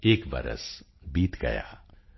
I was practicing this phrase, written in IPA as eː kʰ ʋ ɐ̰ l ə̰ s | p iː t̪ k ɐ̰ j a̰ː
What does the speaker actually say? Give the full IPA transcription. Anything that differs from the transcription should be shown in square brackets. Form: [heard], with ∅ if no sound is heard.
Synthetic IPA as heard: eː [k] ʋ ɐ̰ [ɾ] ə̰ s | [b] iː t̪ [ɡ] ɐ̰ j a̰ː